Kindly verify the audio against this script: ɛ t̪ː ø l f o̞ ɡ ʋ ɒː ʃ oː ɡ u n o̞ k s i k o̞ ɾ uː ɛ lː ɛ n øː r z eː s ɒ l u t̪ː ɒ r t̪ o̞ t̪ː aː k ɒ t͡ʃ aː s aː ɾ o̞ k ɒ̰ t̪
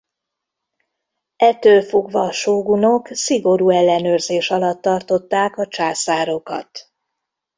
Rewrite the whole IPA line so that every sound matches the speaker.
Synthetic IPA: ɛ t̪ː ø l f o̞ ɡ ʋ ɒː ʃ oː ɡ u n o̞ k s i ɡ o̞ ɾ uː ɛ lː ɛ n øː r z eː ʃ ɒ l ɒ t̪ː ɒ r t̪ o̞ t̪ː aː k ɒ t͡ʃ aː s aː ɾ o̞ k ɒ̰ t̪

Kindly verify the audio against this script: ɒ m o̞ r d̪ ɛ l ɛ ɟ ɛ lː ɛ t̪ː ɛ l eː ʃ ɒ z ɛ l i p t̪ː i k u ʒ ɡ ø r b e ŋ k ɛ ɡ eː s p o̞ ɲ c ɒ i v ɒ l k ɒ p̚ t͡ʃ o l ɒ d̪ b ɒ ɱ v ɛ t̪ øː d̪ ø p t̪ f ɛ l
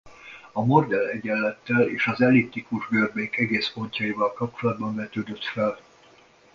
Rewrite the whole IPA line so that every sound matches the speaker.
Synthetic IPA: ɒ m o̞ r d̪ ɛ l ɛ ɟ ɛ lː ɛ t̪ː ɛ l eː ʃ ɒ z ɛ l i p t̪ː i k u ʒ ɡ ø r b e ŋ k ɛ ɡ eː s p o̞ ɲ c ɒ i v ɒ l k ɒ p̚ t͡ʃ o l ɒ d̪ b ɒ ɱ v ɛ t̪ øː d̪ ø t̪ f ɛ l

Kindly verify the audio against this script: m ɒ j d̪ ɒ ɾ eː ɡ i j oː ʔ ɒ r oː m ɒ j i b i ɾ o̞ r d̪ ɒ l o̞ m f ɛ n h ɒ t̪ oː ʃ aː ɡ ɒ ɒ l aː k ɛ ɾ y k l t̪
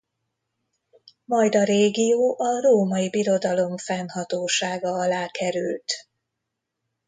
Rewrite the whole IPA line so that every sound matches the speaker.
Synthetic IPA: m ɒ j d̪ ɒ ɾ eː ɡ i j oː ʔ ɒ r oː m ɒ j i b i ɾ o̞ d̪ ɒ l o̞ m f ɛ n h ɒ t̪ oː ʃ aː ɡ ɒ ɒ l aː k ɛ ɾ y l t̪

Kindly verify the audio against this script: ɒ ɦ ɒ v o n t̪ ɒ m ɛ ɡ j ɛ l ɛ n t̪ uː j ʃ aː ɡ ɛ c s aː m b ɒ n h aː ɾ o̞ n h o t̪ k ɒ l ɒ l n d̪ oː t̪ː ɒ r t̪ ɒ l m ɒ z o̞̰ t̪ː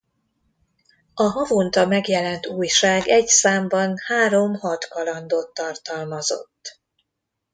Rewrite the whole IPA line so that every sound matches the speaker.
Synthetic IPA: ɒ ɦ ɒ v o n t̪ ɒ m ɛ ɡ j ɛ l ɛ n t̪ uː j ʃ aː ɡ ɛ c s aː m b ɒ n h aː ɾ o̞ m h ɒ t̪ k ɒ l ɒ n d̪ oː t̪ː ɒ r t̪ ɒ l m ɒ z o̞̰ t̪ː

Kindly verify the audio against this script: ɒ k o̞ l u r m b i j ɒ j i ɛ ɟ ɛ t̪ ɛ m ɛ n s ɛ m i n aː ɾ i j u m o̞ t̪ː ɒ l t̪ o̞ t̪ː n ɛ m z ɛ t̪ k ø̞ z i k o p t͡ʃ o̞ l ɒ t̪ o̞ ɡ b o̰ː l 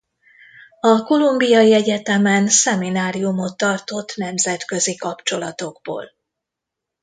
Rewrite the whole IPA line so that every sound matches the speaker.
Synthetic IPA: ɒ k o̞ l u m b i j ɒ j i ɛ ɟ ɛ t̪ ɛ m ɛ n s ɛ m i n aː ɾ i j u m o̞ t̪ː ɒ r t̪ o̞ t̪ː n ɛ m z ɛ t̪ k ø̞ z i k ɒ p t͡ʃ o̞ l ɒ t̪ o̞ ɡ b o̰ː l

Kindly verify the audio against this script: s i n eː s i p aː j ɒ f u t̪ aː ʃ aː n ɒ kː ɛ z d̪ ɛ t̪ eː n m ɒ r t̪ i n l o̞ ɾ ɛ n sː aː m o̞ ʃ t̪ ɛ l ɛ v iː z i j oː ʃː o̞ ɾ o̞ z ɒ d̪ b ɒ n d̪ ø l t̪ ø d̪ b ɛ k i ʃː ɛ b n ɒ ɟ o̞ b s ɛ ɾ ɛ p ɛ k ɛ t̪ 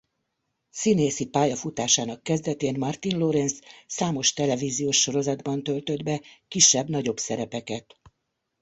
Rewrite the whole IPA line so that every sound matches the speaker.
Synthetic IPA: s i n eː s i p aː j ɒ f u t̪ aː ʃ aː n ɒ kː ɛ z d̪ ɛ t̪ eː n m ɒ r t̪ i n l o̞ ɾ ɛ n sː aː m o̞ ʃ t̪ ɛ l ɛ v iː z i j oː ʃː o̞ ɾ o̞ z ɒ d̪ b ɒ n t̪ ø l t̪ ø d̪ b ɛ k i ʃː ɛ b n ɒ ɟ o̞ b s ɛ ɾ ɛ p ɛ k ɛ t̪

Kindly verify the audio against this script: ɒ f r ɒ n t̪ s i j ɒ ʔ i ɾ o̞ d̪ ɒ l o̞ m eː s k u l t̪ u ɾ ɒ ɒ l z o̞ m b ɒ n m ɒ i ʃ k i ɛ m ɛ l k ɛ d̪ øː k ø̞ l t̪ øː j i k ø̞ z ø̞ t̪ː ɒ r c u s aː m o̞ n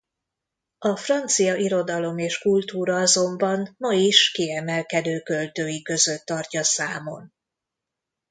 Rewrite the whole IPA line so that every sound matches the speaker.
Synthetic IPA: ɒ f r ɒ n t̪ s i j ɒ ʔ i ɾ o̞ d̪ ɒ l o̞ m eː ʃ k u l t̪ uː ɾ ɒ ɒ z o̞ m b ɒ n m ɒ i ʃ k i ɛ m ɛ l k ɛ d̪ øː k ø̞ l t̪ øː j i k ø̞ z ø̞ t̪ː ɒ r c ɒ s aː m o̞ n

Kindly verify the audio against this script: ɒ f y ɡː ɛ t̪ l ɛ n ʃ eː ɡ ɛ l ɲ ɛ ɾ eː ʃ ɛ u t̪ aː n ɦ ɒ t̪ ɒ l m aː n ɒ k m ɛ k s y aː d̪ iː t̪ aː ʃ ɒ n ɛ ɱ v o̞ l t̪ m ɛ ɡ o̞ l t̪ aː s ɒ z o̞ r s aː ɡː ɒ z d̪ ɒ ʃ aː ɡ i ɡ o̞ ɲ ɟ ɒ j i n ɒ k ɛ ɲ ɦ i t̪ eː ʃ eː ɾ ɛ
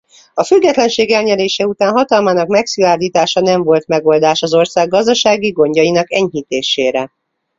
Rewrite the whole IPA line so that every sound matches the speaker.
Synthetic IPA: ɒ f y ɡː ɛ t̪ l ɛ n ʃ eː ɡ ɛ l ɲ ɛ ɾ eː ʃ ɛ u t̪ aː n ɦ ɒ t̪ ɒ l m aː n ɒ k m ɛ k s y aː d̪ iː t̪ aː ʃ ɒ n ɛ ɱ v o̞ l t̪ m ɛ ɡ o̞ l d̪ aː ʃ ɒ z o̞ r s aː ɡː ɒ z d̪ ɒ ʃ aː ɡ i ɡ o̞ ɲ ɟ ɒ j i n ɒ k ɛ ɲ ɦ i t̪ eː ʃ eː ɾ ɛ

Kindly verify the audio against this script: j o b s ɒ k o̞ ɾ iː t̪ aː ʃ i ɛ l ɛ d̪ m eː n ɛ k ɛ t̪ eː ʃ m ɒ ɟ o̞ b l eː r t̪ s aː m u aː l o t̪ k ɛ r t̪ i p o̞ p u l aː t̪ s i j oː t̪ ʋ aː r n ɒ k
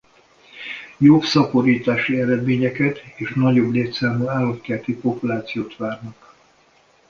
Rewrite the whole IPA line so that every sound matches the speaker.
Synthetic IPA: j o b s ɒ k o̞ ɾ iː t̪ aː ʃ i ɛ ɾ ɛ d̪ m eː ɲ ɛ k ɛ t̪ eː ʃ n ɒ ɟ o̞ b l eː t̪ s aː m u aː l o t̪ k ɛ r t̪ i p o̞ p u l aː t̪ s i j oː t̪ ʋ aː r n ɒ k

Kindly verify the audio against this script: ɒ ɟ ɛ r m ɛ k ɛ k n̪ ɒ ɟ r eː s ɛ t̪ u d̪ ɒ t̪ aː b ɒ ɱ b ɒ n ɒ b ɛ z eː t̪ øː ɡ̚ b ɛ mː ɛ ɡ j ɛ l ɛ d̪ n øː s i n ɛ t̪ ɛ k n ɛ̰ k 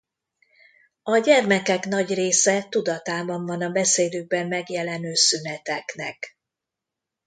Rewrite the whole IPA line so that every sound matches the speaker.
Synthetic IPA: ɒ ɟ ɛ r m ɛ k ɛ k n̪ ɒ ɟ r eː s ɛ t̪ u d̪ ɒ t̪ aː b ɒ ɱ v ɒ n ɒ b ɛ s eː d̪ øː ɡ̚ b ɛ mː ɛ ɡ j ɛ l ɛ n øː s y n ɛ t̪ ɛ k n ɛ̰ k

